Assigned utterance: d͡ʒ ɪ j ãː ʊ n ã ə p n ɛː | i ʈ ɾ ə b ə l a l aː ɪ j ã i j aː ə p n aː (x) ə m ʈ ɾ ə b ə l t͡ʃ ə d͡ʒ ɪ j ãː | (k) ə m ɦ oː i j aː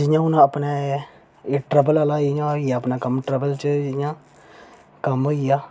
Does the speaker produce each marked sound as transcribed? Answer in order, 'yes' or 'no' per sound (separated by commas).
no, yes